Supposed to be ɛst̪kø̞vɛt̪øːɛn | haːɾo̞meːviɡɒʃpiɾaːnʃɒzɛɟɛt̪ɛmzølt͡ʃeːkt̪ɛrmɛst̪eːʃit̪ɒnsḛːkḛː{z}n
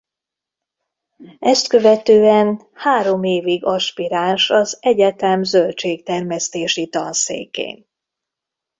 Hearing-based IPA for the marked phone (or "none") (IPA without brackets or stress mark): none